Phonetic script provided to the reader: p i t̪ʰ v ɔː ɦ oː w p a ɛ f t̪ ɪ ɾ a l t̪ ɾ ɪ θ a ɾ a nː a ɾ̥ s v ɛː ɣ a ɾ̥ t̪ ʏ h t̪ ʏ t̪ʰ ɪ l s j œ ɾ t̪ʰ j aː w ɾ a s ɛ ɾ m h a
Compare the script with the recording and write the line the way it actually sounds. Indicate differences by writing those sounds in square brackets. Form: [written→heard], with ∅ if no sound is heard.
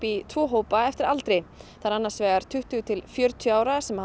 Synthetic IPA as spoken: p i t̪ʰ v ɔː ɦ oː w p a ɛ f t̪ ɪ ɾ a l t̪ ɾ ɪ θ a ɾ a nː a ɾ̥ s v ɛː ɣ a ɾ̥ [t̪→t̪ʰ] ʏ h t̪ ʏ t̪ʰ ɪ l [s→f] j œ ɾ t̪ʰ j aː w ɾ a s ɛ [ɾ→∅] m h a